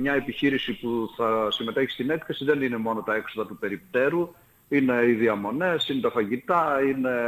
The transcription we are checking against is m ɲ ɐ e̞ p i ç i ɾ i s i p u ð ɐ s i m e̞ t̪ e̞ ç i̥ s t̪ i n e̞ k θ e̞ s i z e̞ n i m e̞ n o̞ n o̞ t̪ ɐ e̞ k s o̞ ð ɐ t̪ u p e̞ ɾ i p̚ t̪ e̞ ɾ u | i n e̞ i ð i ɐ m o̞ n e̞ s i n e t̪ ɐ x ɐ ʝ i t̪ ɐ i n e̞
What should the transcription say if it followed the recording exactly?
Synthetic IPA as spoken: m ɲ ɐ e̞ p i ç i ɾ i s i p u θ ɐ s i m e̞ t̪ e̞ ç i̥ s t̪ i n e̞ k θ e̞ s i ð e̞ n i n e̞ m o̞ n o̞ t̪ ɐ e̞ k s o̞ ð ɐ t̪ u p e̞ ɾ i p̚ t̪ e̞ ɾ u | i n e̞ i ð i ɐ m o̞ n e̞ s i n e t̪ ɐ f ɐ ʝ i t̪ ɐ i n e̞